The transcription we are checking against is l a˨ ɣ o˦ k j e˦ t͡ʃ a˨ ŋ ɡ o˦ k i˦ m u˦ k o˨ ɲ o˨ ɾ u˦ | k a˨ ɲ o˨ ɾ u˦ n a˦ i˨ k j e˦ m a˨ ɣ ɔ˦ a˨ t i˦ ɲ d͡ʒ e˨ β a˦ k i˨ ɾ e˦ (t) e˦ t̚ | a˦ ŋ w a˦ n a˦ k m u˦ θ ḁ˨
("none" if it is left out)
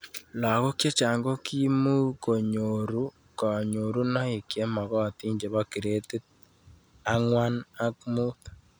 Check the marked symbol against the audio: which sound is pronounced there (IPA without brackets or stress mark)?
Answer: t